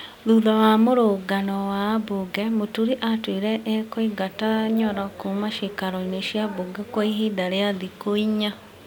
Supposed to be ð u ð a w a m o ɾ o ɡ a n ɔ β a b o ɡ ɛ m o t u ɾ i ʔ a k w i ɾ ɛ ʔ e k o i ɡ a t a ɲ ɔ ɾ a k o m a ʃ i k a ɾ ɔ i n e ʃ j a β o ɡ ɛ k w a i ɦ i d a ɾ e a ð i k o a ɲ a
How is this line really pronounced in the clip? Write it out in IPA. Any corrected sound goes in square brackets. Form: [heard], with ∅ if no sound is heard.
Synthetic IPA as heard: ð u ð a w a m o ɾ o ɡ a n ɔ [w] a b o ɡ ɛ m o t u ɾ i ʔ a [t] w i ɾ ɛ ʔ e k o i ɡ a t a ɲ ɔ ɾ a k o m a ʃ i k a ɾ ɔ i n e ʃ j a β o ɡ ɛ k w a i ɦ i d a ɾ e a ð i k o [i] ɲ a

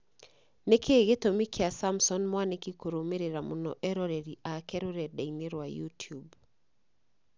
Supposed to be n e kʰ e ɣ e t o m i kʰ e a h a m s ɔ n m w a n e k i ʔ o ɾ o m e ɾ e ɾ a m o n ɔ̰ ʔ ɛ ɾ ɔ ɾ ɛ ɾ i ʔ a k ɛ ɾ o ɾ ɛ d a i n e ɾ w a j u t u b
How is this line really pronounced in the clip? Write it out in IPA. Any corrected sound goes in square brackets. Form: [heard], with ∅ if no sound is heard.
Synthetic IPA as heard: n e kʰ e ɣ e t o m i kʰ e a [s] a m s ɔ n m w a n e k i [k] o ɾ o m e ɾ e ɾ a m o n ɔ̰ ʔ ɛ ɾ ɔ ɾ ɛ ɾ i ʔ a k ɛ ɾ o ɾ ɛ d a i n e ɾ w a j u t u b

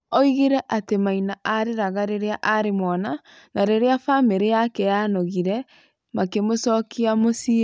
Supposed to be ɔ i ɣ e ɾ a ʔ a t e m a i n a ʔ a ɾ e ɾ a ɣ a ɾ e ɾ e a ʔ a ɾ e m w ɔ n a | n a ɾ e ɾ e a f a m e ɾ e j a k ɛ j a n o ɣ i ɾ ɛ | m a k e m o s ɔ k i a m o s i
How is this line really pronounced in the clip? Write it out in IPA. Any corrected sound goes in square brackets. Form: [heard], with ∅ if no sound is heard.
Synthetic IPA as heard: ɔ i ɣ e ɾ [ɛ] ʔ a t e m a i n a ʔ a ɾ e ɾ a ɣ a ɾ e ɾ e a ʔ a ɾ e m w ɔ n a | n a ɾ e ɾ e a f a m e ɾ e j a k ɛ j a n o ɣ i ɾ ɛ | m a k e m o s ɔ k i a m o s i

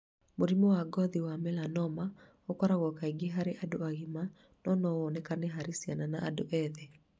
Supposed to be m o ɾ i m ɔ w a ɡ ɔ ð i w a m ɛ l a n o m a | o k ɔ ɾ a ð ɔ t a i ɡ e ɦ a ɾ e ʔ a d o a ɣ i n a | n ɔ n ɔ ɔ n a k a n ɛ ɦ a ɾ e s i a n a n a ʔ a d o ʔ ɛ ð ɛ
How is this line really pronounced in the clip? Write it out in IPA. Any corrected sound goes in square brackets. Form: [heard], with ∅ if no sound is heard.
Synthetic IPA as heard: m o ɾ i m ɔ w a ɡ ɔ ð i w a m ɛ l a n [ɔ] m a | o k ɔ ɾ a [ɣ] ɔ [k] a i ɡ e ɦ a ɾ e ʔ a d o a ɣ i [m] a | n ɔ n ɔ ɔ n [ɛ] k a n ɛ ɦ a ɾ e s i a n a n a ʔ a d o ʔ ɛ ð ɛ

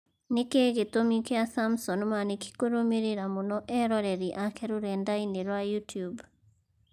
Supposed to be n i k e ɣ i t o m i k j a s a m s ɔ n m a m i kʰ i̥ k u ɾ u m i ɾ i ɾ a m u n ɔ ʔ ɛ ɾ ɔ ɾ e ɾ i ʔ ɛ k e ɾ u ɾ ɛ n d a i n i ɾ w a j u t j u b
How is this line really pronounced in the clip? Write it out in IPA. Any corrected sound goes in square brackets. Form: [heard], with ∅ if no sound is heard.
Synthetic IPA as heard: n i k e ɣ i t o m i k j a s a m s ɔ n m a [n] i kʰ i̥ k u ɾ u m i ɾ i ɾ a m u n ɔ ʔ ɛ ɾ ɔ ɾ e ɾ i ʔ [a] k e ɾ u ɾ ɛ n d a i n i ɾ w a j u t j u b

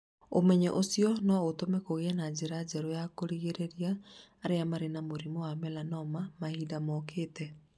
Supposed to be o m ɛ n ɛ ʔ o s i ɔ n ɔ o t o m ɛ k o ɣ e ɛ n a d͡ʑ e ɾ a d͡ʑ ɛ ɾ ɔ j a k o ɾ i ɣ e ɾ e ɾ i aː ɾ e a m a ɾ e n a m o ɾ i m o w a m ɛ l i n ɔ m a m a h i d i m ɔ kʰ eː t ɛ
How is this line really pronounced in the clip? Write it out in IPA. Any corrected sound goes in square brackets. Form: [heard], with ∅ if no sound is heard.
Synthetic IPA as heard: o m ɛ [ɲ] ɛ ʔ o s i ɔ n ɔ o t o m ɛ k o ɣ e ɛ n a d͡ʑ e ɾ a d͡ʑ ɛ ɾ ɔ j a k o ɾ i ɣ e ɾ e ɾ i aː ɾ e a m a ɾ e n a m o ɾ i m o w a m ɛ l [a] n ɔ m a m a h i d [a] m ɔ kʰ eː t ɛ

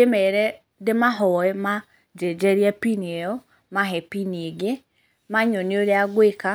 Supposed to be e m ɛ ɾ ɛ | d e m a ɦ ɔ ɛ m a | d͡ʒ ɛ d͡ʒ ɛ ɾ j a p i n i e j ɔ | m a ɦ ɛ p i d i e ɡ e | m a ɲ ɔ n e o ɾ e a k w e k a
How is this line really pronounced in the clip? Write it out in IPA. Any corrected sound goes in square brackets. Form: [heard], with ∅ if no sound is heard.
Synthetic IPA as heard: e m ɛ ɾ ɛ | d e m a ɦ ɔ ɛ m a | d͡ʒ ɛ d͡ʒ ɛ ɾ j a p i n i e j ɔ | m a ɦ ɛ p i [n] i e ɡ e | m a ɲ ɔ n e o ɾ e a [ɡ] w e k a

